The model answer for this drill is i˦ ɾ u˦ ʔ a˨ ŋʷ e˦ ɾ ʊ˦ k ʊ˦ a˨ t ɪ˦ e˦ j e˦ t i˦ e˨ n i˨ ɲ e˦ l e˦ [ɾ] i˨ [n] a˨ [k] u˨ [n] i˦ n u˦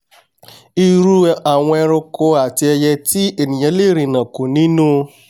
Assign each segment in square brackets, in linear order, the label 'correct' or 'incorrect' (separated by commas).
correct, correct, correct, correct